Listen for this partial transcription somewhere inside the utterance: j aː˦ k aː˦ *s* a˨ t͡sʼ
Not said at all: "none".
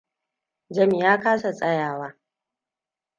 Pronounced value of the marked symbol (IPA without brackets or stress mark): s